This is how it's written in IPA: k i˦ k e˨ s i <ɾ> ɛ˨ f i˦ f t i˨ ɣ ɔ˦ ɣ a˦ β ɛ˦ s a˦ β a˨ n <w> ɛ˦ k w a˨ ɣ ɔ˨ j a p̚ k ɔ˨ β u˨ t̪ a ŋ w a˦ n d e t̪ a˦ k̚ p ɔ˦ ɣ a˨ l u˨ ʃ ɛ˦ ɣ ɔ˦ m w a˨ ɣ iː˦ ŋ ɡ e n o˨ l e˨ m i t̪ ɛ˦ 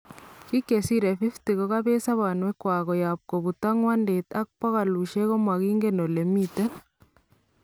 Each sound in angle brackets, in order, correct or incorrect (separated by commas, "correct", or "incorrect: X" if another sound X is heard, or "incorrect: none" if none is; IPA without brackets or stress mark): correct, correct